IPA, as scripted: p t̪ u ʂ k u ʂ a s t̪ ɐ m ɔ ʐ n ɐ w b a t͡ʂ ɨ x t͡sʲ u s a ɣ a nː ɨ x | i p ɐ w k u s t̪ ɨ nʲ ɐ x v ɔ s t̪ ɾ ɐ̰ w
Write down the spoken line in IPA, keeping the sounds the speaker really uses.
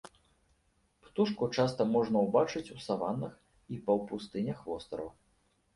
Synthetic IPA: p t̪ u ʂ k u t͡ʂ a s t̪ ɐ m ɔ ʐ n ɐ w b a t͡ʂ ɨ t͡sʲ u s a v a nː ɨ x | i p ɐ w p u s t̪ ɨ nʲ ɐ x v ɔ s t̪ ɾ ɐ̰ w